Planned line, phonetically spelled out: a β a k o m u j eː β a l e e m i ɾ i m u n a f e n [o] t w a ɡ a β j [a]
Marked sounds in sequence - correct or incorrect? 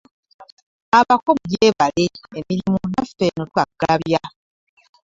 correct, correct

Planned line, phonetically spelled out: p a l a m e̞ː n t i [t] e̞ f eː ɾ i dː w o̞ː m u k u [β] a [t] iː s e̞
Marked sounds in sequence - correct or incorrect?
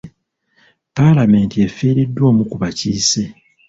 incorrect, correct, incorrect

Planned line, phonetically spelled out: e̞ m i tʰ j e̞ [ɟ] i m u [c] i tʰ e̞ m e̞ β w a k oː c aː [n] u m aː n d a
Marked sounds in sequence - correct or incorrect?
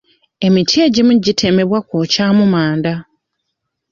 correct, incorrect, incorrect

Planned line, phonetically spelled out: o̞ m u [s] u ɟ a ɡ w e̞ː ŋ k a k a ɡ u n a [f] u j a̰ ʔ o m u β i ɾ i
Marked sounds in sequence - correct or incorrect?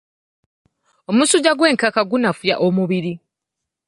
correct, correct

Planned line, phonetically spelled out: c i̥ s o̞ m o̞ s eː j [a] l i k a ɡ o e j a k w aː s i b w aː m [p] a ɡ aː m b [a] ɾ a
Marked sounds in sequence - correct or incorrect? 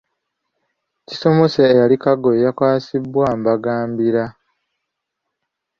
correct, incorrect, incorrect

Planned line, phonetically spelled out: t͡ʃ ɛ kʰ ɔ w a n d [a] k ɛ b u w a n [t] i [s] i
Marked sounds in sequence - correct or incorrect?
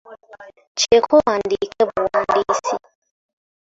incorrect, incorrect, correct

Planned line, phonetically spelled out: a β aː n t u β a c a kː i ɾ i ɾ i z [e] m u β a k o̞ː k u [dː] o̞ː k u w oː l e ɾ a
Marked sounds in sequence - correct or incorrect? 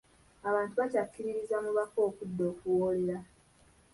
incorrect, correct

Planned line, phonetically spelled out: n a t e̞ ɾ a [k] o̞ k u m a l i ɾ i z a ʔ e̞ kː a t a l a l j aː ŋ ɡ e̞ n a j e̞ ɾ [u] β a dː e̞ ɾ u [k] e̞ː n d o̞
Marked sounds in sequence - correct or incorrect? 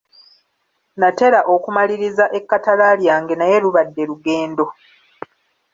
incorrect, correct, incorrect

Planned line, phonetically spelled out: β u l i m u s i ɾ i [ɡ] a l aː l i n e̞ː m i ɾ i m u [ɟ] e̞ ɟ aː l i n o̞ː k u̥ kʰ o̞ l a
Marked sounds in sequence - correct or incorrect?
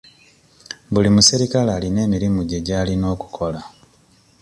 incorrect, correct

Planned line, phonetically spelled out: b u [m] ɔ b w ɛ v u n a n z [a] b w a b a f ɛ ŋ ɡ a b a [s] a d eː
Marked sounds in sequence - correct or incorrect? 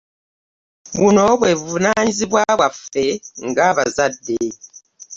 incorrect, incorrect, incorrect

